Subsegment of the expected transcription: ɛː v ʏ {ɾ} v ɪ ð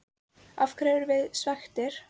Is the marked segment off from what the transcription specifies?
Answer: no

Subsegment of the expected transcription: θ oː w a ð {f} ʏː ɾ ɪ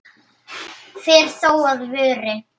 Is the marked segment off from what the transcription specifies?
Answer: yes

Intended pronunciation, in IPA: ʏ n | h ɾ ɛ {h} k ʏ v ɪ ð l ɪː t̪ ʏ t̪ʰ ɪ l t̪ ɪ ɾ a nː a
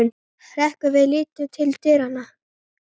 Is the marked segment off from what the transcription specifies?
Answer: no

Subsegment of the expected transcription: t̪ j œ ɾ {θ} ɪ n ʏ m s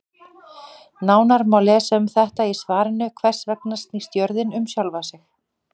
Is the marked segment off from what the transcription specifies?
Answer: yes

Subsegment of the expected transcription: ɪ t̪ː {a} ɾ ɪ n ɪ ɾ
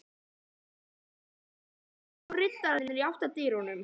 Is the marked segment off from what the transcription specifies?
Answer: no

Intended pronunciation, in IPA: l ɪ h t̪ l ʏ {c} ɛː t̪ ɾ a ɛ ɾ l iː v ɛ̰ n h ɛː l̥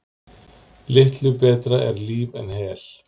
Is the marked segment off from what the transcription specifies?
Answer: yes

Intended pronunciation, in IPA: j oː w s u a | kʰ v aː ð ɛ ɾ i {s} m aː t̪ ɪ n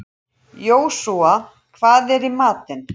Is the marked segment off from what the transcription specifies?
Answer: yes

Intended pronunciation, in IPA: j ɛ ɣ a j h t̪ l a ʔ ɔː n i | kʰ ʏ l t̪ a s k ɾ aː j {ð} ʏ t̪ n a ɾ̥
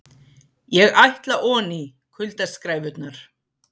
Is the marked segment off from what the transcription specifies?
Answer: yes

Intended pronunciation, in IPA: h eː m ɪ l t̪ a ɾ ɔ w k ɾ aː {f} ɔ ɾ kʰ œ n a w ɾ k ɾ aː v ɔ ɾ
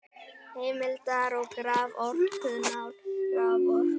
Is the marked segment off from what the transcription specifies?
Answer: yes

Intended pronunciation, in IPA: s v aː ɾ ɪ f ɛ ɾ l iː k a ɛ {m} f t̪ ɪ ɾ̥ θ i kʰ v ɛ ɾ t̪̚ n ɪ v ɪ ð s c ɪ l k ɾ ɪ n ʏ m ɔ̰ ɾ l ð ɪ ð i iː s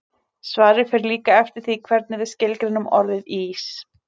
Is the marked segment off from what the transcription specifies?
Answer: yes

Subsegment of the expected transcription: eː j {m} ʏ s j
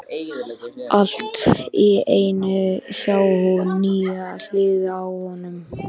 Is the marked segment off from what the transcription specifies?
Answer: yes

